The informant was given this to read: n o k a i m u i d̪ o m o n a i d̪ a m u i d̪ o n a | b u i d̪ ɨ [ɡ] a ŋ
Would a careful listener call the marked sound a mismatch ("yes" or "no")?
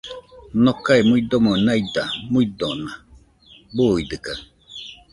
yes